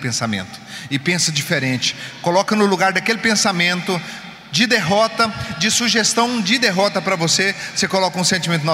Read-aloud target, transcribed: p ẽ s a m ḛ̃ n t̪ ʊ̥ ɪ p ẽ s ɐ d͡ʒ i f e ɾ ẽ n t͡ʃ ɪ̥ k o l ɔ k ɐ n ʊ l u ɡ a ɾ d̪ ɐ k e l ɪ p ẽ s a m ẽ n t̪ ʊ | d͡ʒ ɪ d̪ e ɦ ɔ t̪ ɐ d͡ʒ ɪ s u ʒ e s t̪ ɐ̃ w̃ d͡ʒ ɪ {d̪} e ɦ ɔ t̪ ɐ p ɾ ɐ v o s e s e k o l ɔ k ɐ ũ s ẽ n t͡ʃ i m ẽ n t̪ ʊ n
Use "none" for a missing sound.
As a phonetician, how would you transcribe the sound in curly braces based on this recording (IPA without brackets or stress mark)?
d̪